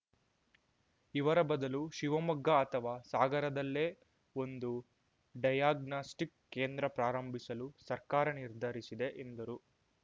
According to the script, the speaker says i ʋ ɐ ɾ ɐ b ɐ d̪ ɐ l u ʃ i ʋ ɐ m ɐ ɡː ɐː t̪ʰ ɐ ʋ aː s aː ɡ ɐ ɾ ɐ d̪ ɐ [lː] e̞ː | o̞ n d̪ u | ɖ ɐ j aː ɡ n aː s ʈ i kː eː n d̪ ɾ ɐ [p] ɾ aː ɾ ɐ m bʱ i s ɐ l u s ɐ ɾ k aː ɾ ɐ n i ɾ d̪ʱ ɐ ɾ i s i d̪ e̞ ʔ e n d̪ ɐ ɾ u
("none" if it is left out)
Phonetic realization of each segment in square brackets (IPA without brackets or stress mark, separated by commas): lː, p